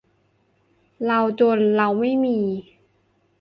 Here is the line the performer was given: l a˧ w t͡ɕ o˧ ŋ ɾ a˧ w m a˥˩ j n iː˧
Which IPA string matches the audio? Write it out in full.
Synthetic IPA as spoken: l a˧ w t͡ɕ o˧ n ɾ a˧ w m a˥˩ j m iː˧